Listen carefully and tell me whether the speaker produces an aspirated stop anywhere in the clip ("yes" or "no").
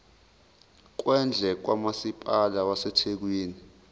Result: yes